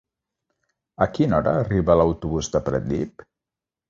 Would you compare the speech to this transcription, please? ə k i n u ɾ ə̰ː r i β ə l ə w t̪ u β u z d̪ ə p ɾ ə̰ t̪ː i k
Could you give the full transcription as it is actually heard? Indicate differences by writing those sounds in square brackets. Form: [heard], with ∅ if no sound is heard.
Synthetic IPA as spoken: ə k i n [ɔ] ɾ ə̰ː r i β ə l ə w t̪ u β u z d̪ ə p ɾ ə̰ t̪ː i [p]